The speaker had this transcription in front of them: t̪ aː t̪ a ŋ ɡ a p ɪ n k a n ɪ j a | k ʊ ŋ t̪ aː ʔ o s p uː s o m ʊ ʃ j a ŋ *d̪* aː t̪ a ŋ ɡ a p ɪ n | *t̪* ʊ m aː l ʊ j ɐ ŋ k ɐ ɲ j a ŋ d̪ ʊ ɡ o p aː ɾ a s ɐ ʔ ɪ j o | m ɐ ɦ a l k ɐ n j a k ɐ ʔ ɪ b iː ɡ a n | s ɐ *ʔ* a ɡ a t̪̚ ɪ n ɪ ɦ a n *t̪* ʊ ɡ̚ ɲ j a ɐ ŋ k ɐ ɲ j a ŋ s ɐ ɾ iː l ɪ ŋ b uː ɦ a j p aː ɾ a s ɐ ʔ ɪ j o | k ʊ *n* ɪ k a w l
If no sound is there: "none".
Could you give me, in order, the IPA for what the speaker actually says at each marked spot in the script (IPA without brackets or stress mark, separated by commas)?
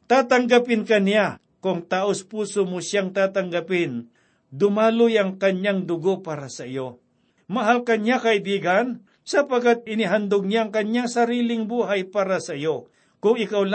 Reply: t̪, d̪, p, d̪, ŋ